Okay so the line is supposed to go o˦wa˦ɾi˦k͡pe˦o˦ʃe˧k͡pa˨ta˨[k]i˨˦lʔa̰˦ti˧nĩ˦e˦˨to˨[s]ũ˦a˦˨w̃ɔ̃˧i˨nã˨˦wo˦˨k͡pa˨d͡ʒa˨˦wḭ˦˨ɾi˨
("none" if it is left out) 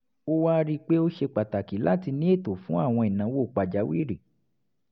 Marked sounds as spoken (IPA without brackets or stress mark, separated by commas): k, f